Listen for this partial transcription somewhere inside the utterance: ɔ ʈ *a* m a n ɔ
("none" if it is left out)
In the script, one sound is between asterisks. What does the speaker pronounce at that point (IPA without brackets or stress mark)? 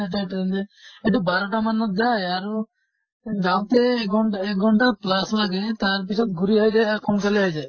a